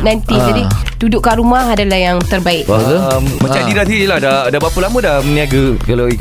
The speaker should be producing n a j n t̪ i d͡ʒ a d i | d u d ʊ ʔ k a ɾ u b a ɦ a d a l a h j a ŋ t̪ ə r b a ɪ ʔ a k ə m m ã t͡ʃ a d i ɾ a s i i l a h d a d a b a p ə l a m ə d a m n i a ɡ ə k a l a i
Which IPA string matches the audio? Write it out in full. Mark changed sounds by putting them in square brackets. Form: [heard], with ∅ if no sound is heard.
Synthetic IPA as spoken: n a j n t̪ i d͡ʒ a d i | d u d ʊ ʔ k a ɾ u [m] a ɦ a d a l a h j a ŋ t̪ ə r b a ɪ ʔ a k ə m m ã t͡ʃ a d i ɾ a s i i l a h d a d a b a p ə l a m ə d a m n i a ɡ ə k a l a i